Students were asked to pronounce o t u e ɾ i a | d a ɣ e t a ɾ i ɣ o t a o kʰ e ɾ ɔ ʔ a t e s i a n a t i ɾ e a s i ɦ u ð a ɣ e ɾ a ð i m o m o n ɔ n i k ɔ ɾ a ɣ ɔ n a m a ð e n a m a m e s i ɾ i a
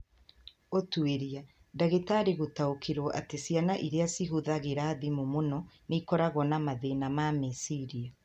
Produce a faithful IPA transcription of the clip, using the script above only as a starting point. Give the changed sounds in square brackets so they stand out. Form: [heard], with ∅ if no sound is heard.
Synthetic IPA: o t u e ɾ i a | d a ɣ e t a ɾ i ɣ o t a o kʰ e ɾ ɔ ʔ a t e s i a n a [ʔ] i ɾ e a s i ɦ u ð a ɣ e ɾ a ð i m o m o n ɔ n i k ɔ ɾ a ɣ ɔ n a m a ð e n a m a m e s i ɾ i a